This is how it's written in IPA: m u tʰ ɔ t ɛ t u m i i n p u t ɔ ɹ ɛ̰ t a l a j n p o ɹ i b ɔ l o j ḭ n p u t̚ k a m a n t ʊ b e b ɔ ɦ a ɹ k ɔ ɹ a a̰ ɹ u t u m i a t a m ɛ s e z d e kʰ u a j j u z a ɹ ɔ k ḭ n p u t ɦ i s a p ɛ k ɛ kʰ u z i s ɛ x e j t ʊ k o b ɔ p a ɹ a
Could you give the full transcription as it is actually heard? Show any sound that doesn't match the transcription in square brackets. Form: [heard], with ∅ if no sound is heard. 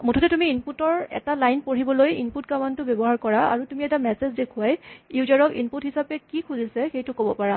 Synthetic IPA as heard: m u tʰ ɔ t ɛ t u m i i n p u t ɔ ɹ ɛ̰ t a l a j n p o ɹ i b ɔ l o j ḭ n p u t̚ k a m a n t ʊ b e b ɔ ɦ a ɹ k ɔ ɹ a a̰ ɹ u t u m i [ɛ] t a m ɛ s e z d e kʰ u a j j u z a ɹ ɔ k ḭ n p u t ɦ i s a p ɛ k [i] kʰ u z i s ɛ x e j t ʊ k o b ɔ p a ɹ a